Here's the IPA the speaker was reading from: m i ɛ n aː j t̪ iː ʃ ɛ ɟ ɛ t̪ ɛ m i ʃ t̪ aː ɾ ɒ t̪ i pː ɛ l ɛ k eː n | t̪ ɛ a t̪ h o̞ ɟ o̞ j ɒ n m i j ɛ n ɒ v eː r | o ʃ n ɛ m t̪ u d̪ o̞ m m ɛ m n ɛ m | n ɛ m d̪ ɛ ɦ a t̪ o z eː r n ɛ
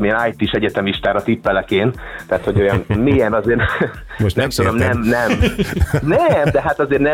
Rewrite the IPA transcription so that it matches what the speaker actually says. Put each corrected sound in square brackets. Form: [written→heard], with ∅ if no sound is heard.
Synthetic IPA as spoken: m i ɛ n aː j t̪ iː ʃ ɛ ɟ ɛ t̪ ɛ m i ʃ t̪ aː ɾ ɒ t̪ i pː ɛ l ɛ k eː n | t̪ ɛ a t̪ h o̞ ɟ o̞ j ɒ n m i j ɛ n ɒ [v→z] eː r | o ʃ n ɛ m t̪ u d̪ o̞ m [m→n] ɛ m n ɛ m | n ɛ m d̪ ɛ ɦ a t̪ [o→ɒ] z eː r n ɛ